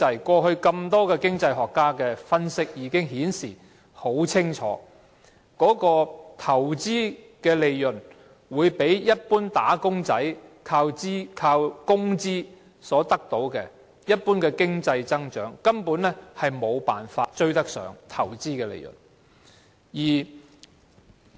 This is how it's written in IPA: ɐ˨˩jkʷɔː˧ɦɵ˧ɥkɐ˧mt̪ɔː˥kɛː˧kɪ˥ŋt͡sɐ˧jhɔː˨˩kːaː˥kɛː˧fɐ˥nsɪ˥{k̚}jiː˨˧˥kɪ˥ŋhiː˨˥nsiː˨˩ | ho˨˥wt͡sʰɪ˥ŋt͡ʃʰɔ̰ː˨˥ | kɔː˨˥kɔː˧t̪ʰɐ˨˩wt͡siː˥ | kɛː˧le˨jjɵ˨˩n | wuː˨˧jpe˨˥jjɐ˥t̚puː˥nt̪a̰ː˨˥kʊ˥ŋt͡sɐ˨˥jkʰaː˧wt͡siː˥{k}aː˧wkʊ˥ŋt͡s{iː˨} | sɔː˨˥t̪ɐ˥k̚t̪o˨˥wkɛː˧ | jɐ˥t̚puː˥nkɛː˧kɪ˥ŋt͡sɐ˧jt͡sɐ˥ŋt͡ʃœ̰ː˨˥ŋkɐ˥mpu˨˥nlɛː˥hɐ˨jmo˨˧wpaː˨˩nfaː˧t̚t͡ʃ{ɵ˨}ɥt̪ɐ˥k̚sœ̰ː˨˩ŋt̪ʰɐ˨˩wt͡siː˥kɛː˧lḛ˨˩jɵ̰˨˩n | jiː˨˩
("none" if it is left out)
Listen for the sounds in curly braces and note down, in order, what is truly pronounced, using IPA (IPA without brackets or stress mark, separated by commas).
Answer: k̚, kʰ, iː˥, ɵ˥